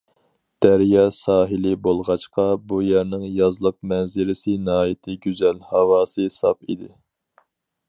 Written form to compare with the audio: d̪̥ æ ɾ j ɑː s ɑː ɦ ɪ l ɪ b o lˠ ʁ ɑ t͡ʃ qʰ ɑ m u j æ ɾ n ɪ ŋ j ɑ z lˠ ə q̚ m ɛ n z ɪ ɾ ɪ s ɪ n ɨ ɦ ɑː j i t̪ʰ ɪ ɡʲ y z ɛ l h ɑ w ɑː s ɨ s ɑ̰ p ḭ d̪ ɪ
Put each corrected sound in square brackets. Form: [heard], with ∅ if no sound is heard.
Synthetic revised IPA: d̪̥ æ ɾ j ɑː s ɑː ɦ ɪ l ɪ b o lˠ ʁ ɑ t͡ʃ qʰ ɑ [b] u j æ ɾ n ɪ ŋ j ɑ z lˠ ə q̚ m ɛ n z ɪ ɾ ɪ s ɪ n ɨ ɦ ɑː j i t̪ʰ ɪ ɡʲ y z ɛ l h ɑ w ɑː s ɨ s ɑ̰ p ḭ d̪ ɪ